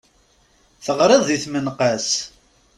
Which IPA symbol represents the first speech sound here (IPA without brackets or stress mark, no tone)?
θ